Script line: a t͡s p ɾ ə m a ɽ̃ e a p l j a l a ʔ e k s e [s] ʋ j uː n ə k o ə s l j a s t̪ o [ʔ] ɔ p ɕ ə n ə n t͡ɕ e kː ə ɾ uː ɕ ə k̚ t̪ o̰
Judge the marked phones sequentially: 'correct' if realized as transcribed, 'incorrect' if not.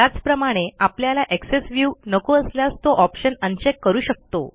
correct, correct

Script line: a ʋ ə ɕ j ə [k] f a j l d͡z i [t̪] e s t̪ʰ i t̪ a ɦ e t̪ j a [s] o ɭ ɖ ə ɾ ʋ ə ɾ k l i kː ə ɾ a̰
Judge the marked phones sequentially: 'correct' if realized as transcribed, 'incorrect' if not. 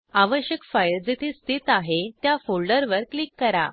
correct, incorrect: t̪ʰ, incorrect: f

